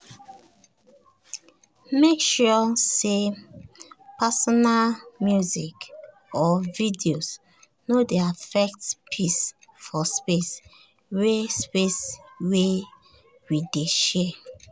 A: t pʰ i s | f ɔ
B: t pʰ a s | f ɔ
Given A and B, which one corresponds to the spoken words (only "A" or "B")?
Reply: A